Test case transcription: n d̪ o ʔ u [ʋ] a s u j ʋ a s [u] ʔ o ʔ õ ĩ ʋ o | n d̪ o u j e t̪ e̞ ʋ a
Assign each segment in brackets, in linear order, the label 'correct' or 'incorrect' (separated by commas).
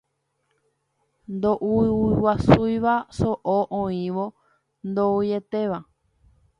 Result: incorrect, incorrect